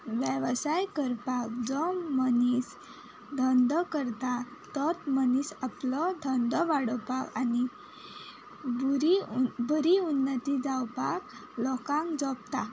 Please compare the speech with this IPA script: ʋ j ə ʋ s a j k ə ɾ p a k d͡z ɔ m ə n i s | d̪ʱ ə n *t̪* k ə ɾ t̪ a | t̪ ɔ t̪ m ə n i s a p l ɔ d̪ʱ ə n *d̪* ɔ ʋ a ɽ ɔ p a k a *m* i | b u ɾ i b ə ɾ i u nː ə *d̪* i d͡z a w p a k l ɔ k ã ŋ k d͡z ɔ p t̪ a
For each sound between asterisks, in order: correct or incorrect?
incorrect: d̪, correct, incorrect: n, incorrect: t̪

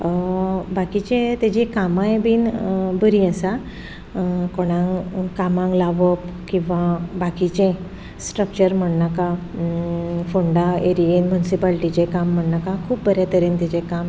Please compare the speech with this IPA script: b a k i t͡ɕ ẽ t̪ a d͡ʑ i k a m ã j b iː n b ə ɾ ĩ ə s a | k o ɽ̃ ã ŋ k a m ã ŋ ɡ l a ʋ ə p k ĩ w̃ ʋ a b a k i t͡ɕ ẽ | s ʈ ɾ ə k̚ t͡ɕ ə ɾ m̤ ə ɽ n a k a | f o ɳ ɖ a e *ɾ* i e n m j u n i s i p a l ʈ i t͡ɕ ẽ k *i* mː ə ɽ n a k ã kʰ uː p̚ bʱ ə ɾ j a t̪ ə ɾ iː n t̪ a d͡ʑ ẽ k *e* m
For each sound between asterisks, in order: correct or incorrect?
correct, incorrect: a, incorrect: a

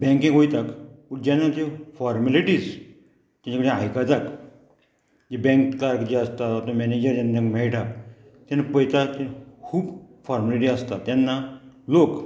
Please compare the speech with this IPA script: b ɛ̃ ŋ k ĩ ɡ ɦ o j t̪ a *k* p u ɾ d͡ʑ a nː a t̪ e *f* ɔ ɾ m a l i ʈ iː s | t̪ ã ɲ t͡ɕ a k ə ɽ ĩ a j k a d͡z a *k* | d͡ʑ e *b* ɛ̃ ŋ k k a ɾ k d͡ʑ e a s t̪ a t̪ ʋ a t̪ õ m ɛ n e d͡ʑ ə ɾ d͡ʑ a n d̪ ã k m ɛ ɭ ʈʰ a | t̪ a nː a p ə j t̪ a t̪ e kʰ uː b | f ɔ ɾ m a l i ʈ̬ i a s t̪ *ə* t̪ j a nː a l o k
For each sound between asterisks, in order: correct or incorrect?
correct, correct, correct, correct, incorrect: a

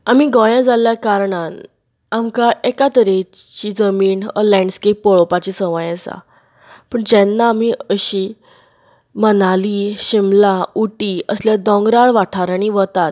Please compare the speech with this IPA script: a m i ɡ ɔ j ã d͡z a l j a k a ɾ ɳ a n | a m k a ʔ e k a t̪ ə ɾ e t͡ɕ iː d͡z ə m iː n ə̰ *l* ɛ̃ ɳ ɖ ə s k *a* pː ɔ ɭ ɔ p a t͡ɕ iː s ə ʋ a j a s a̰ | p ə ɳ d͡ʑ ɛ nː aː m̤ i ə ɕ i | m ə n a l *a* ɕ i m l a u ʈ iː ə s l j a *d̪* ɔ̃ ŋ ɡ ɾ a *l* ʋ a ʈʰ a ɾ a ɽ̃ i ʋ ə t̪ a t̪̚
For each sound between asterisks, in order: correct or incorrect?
correct, incorrect: e, incorrect: i, correct, incorrect: ɭ

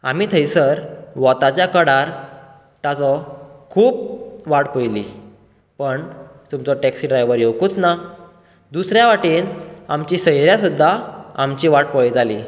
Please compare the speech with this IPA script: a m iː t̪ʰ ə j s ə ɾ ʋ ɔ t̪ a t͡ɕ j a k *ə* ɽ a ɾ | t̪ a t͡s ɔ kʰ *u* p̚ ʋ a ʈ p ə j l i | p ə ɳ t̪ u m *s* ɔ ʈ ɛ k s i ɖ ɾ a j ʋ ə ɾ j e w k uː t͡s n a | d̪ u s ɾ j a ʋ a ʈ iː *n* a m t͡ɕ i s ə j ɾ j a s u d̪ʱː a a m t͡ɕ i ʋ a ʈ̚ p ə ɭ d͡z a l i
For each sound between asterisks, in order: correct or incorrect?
correct, incorrect: uː, incorrect: t͡s, correct

